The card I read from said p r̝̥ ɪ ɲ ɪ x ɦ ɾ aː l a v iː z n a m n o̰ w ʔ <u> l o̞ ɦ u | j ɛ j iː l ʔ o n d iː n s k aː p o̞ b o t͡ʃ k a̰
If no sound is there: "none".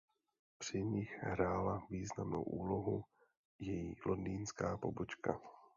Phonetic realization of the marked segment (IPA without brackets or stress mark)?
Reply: uː